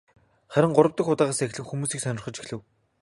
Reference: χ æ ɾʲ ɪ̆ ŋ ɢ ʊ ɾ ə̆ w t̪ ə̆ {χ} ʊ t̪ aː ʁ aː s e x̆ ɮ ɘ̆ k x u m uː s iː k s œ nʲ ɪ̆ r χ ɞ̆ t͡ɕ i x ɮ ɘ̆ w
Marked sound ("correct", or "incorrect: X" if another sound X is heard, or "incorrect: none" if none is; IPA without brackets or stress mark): incorrect: x